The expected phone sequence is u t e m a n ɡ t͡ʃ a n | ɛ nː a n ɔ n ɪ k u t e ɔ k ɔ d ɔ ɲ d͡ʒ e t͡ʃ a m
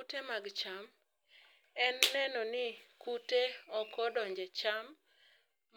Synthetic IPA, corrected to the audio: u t e m a ɡ t͡ʃ a m | ɛ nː ɛ n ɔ n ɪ k u t e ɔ k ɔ d ɔ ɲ d͡ʒ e t͡ʃ a m